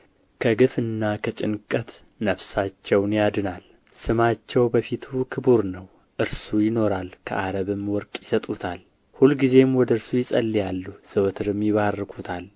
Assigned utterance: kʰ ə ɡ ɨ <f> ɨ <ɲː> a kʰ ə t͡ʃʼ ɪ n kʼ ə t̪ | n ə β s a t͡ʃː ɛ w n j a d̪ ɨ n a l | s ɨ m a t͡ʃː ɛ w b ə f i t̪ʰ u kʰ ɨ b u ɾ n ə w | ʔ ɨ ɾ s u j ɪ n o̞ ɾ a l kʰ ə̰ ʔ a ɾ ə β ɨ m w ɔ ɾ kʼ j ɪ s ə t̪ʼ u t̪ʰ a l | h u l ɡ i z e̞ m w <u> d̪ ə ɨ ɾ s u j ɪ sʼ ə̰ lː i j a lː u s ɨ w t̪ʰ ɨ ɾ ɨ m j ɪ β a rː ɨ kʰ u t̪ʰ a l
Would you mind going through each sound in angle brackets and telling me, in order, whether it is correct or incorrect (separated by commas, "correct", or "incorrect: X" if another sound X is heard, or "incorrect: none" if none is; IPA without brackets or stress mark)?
correct, incorrect: nː, incorrect: ɔ